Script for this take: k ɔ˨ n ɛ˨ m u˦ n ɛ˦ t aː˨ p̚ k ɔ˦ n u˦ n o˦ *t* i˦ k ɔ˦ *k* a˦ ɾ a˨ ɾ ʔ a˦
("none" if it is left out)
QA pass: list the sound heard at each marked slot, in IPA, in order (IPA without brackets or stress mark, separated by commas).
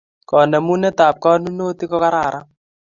t, k